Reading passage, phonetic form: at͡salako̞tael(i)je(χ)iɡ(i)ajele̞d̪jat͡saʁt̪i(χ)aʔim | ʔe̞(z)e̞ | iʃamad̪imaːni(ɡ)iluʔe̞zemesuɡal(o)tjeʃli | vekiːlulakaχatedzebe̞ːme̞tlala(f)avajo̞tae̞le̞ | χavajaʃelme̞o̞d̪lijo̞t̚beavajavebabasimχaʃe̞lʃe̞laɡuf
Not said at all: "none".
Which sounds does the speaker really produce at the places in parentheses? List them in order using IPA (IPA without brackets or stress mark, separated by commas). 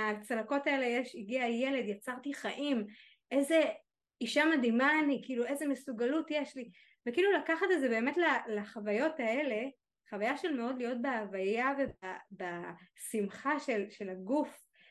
e, ʃ, i, χ, z, k, u, χ